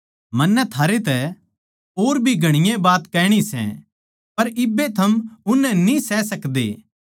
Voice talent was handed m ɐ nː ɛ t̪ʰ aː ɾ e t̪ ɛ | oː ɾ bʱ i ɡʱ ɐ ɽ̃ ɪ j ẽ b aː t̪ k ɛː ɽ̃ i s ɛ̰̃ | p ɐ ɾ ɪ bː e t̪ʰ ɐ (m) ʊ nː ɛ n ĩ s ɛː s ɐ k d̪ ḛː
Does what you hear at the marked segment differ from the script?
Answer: no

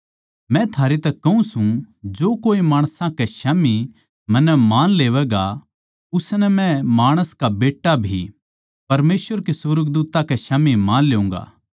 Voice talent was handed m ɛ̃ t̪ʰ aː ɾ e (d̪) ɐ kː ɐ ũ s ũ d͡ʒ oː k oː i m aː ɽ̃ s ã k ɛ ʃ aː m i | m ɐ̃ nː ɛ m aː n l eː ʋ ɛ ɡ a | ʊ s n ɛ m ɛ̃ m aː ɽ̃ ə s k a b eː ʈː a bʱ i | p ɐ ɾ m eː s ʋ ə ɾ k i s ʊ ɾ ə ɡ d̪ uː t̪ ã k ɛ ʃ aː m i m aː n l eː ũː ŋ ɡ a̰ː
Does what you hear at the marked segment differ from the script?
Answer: yes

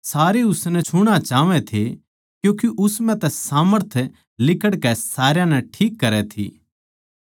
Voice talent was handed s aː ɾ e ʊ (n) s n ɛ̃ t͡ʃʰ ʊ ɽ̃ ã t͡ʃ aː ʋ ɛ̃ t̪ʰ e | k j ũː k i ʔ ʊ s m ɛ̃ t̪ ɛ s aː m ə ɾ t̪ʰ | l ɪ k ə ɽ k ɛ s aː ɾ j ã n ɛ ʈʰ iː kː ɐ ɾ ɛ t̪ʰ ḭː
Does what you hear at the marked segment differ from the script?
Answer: yes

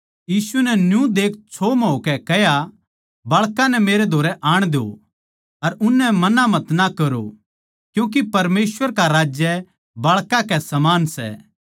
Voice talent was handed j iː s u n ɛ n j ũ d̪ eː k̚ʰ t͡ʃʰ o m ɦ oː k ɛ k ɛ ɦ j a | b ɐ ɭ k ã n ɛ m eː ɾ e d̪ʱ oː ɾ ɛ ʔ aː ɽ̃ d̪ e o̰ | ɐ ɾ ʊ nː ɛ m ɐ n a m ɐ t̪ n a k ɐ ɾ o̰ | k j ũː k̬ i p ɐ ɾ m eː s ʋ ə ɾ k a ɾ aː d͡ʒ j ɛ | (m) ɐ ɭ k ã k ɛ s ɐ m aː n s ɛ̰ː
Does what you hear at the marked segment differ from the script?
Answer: yes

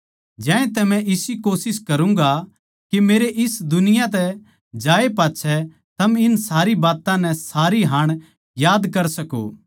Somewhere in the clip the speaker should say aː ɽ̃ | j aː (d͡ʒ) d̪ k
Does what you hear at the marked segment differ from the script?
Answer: yes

